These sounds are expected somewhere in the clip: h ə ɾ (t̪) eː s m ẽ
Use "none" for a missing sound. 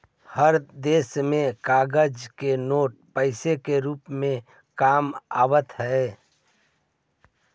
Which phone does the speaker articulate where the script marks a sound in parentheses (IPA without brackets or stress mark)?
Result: d̪